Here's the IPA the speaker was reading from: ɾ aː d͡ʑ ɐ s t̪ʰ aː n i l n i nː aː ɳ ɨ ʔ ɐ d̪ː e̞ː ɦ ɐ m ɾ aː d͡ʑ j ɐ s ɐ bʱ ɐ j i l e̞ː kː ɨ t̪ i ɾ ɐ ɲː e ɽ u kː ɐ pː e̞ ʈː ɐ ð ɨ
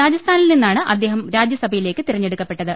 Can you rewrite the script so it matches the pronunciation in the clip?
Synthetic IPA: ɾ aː d͡ʑ ɐ s t̪ʰ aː n i l n i nː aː ɳ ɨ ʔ ɐ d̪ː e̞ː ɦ ɐ m ɾ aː d͡ʑ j ɐ s ɐ bʱ ɐ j i l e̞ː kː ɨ t̪ i r ɐ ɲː e ɽ u kː ɐ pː e̞ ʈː ɐ ð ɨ